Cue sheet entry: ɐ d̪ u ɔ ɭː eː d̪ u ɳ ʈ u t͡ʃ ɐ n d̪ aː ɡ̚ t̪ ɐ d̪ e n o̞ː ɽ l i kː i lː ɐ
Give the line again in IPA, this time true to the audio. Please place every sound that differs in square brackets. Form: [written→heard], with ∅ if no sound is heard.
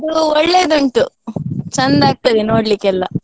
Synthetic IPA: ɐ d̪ u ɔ ɭː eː d̪ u ɳ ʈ u t͡ʃ ɐ n d̪ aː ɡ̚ t̪ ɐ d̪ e n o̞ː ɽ l i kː [i→ɛ] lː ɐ